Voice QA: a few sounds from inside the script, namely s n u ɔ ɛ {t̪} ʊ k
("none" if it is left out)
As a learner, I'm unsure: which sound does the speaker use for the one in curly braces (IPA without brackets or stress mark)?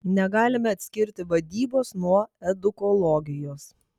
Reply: d̪